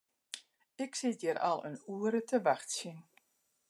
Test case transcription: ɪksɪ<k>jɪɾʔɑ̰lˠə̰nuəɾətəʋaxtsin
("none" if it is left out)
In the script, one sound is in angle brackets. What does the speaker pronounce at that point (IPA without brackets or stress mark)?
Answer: t